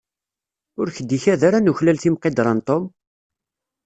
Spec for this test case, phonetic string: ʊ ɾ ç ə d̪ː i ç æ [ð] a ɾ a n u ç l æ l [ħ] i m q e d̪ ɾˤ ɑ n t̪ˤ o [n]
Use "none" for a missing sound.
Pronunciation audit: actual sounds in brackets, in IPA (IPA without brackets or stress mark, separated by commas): ð, θ, m